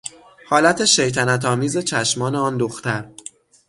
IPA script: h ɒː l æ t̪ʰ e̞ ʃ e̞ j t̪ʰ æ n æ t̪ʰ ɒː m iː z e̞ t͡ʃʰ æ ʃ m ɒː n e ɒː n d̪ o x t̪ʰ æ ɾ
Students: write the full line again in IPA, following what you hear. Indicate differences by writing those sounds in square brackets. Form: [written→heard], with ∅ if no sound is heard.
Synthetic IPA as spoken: h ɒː l æ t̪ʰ e̞ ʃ e̞ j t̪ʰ æ n æ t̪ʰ ɒː m iː z e̞ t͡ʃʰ æ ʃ m ɒː n e ɒː n d̪ o x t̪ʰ æ ɾ

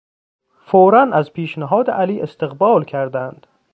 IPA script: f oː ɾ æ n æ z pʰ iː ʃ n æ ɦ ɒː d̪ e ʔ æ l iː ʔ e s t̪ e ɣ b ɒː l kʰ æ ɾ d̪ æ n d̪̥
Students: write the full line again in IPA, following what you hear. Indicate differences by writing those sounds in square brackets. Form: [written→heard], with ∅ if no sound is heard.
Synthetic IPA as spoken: f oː ɾ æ n æ z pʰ iː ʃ n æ ɦ ɒː d̪ e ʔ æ l iː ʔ e s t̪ e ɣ b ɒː l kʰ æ ɾ d̪ æ n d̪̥

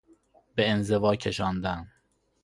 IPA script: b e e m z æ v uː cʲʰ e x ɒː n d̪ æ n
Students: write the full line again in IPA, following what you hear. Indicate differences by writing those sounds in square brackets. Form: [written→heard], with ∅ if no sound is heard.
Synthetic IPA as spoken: b e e [m→n] z [æ→e] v [uː→ɒː] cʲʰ e [x→ʃ] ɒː n d̪ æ n

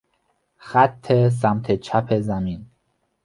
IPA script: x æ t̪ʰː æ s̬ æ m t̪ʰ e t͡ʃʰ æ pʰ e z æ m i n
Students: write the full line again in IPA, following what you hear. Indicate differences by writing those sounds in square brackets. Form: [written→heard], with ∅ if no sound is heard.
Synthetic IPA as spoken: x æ t̪ʰː [æ→e] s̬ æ m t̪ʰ e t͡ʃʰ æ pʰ e z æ m i n

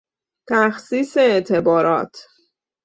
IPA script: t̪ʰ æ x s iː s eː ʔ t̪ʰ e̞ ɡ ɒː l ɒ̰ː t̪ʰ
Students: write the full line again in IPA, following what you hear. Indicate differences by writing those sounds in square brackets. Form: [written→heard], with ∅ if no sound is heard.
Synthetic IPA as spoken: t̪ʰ æ x s iː s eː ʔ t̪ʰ e̞ [ɡ→b] ɒː [l→ɾ] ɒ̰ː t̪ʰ

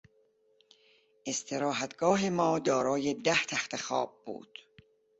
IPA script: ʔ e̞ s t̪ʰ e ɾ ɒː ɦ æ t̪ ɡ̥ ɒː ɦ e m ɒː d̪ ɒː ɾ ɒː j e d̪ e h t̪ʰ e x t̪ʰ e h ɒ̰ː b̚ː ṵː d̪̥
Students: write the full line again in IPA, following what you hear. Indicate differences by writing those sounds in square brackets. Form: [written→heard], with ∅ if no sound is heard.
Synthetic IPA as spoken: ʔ e̞ s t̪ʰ e ɾ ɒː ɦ æ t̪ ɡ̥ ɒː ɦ e m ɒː d̪ ɒː ɾ ɒː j e d̪ [e→æ] h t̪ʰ [e→æ] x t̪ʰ e [h→x] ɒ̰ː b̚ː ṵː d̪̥

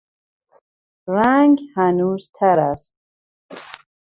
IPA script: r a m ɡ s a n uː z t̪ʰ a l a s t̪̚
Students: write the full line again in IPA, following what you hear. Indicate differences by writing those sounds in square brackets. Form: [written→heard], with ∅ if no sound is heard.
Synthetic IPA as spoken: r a [m→ŋ] ɡ [s→h] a n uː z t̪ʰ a [l→ɾ] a s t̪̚

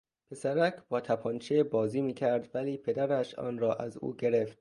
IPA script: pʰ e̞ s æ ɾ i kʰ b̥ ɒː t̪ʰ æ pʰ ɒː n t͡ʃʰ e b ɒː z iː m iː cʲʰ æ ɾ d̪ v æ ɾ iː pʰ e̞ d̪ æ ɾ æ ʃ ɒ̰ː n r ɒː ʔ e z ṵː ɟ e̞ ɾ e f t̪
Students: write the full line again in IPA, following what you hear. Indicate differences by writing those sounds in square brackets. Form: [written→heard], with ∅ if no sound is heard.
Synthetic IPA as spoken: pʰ e̞ s æ ɾ [i→æ] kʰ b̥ ɒː t̪ʰ æ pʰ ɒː n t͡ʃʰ e b ɒː z iː m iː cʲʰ æ ɾ d̪ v æ [ɾ→l] iː pʰ e̞ d̪ æ ɾ æ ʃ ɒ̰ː n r ɒː ʔ [e→æ] z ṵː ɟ e̞ ɾ e f t̪

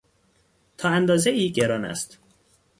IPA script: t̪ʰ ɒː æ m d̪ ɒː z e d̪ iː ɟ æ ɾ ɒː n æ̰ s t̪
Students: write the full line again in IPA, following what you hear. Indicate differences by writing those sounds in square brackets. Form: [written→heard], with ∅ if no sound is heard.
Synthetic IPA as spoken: t̪ʰ ɒː æ [m→n] d̪ ɒː z e [d̪→∅] iː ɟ [æ→e] ɾ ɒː n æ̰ s t̪

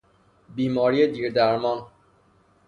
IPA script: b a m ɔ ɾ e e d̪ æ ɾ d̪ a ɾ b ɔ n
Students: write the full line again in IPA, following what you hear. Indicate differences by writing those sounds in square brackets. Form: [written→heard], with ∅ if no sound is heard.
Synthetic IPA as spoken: b [a→i] m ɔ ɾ [e→i] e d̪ [æ→i] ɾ d̪ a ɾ [b→m] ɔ n

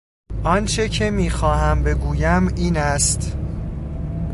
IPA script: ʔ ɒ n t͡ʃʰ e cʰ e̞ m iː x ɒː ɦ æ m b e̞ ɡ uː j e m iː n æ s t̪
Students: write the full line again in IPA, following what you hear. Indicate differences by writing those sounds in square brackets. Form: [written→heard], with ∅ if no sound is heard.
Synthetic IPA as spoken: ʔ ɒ n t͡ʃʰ e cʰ e̞ m iː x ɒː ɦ æ m b e̞ ɡ uː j [e→æ] m iː n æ s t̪

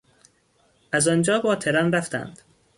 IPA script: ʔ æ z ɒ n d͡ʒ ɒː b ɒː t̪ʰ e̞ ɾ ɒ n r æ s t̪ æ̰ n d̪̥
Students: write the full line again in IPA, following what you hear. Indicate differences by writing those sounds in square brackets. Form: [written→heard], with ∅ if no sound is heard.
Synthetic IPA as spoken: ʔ æ z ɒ n d͡ʒ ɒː b ɒː t̪ʰ e̞ ɾ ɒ n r æ [s→f] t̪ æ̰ n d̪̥

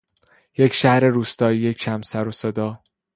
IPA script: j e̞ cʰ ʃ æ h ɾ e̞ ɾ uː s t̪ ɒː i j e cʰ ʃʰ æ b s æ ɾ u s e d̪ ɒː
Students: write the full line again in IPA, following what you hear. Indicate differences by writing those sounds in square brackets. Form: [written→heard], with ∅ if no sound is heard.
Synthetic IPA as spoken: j e̞ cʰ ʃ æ h ɾ e̞ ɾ uː s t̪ ɒː i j e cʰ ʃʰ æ [b→m] s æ ɾ [u→o] s e d̪ ɒː

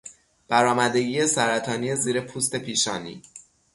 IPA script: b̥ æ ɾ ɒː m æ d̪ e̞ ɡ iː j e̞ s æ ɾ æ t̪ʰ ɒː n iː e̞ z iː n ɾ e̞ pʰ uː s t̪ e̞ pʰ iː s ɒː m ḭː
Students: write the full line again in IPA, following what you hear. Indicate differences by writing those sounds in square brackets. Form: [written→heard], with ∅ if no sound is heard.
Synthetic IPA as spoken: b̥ æ ɾ ɒː m æ d̪ e̞ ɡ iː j e̞ s æ ɾ æ t̪ʰ ɒː n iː e̞ z iː [n→∅] ɾ e̞ pʰ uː s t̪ e̞ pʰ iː [s→ʃ] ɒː [m→n] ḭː

